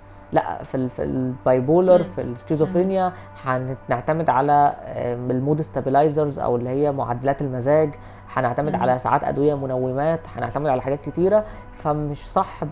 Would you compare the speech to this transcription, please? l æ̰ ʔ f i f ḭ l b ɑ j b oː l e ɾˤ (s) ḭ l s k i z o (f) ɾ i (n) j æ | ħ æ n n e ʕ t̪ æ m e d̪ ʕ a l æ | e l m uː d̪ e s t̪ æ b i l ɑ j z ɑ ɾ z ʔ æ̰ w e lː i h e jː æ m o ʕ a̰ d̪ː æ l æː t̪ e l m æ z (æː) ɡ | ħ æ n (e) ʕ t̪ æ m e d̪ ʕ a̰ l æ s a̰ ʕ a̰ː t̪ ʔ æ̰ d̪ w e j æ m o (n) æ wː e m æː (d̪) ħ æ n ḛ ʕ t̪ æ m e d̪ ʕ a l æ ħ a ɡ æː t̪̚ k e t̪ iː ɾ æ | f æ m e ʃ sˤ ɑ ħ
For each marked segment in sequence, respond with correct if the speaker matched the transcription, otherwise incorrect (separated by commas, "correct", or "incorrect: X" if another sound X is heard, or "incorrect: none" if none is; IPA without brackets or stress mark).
incorrect: f, correct, correct, correct, correct, correct, incorrect: t̪